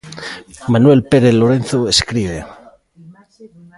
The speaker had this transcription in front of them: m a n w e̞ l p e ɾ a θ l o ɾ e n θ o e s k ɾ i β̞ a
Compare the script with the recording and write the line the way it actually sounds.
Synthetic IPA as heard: m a n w e̞ l p e ɾ e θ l o ɾ e n θ o e s k ɾ i β̞ e